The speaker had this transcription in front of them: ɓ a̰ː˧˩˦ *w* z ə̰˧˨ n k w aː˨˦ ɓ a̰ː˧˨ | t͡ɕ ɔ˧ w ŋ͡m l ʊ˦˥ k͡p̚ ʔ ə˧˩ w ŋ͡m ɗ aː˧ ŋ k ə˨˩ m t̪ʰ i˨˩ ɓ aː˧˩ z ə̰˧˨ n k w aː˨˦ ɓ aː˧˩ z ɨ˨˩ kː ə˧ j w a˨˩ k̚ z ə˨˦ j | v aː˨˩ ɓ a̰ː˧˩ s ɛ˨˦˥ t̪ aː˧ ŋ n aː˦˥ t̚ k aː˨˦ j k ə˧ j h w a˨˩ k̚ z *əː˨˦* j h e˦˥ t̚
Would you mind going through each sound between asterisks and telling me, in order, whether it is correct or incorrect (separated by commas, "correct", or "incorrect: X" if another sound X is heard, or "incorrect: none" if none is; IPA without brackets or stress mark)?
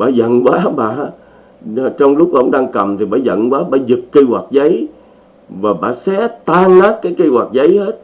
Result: incorrect: none, incorrect: ə˨˦